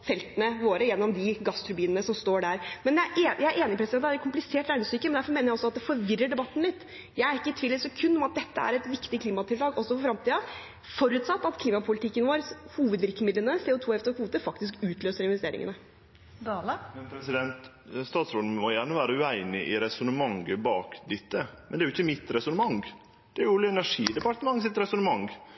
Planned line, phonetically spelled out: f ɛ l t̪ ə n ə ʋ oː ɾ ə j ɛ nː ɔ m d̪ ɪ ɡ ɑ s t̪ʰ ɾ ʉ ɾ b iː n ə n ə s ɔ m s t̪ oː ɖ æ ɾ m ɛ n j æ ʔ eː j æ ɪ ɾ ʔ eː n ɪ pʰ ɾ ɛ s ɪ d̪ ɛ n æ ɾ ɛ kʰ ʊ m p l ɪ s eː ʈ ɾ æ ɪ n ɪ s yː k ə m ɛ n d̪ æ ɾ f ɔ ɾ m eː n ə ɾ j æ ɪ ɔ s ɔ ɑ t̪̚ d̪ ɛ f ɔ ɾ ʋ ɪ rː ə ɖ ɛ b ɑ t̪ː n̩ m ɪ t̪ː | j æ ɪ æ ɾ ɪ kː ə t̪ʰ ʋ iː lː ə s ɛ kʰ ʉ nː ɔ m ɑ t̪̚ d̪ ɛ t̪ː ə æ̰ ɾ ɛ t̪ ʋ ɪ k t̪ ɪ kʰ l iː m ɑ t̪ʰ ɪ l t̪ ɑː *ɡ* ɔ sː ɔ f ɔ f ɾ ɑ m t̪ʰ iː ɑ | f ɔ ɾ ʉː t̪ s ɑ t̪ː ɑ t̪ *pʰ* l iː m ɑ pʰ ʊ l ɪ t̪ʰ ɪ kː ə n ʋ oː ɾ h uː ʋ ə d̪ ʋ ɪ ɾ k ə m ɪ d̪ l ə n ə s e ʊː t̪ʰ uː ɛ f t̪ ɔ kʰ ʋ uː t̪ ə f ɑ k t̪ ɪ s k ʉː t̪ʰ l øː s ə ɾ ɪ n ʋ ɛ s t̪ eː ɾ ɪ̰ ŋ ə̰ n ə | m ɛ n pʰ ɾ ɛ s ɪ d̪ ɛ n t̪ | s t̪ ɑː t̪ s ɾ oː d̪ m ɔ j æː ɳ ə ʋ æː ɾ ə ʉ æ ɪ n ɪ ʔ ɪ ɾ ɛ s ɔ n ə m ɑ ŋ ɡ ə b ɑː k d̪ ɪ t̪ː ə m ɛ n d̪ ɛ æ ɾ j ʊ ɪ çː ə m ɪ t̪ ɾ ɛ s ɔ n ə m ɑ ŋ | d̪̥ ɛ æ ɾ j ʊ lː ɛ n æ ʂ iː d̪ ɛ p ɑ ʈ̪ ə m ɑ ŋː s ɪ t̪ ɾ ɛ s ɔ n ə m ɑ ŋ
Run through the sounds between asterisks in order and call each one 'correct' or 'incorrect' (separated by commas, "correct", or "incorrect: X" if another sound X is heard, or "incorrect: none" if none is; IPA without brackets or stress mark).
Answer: correct, incorrect: kʰ